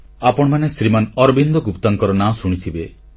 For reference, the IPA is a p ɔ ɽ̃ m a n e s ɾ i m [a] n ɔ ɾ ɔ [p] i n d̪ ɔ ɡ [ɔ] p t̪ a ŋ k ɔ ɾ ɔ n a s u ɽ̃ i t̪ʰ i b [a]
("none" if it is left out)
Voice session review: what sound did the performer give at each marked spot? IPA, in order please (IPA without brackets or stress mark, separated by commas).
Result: a, b, u, e